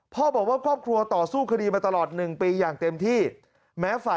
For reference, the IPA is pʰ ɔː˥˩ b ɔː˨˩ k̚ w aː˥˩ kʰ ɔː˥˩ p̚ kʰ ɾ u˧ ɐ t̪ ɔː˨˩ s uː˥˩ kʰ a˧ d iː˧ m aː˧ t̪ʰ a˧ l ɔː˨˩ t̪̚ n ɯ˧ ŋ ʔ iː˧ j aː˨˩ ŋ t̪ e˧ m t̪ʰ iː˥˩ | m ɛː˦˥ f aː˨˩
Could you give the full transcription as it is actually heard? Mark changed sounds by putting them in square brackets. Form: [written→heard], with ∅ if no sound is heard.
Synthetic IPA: pʰ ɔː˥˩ b ɔː˨˩ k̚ w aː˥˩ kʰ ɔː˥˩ p̚ kʰ ɾ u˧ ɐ t̪ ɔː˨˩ s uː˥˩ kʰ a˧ d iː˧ m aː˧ [t̪ʰ→t̪] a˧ l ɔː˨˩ t̪̚ n [ɯ˧→ɯ˨˩] ŋ [ʔ→p] iː˧ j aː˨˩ ŋ t̪ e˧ m t̪ʰ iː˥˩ | m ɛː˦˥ f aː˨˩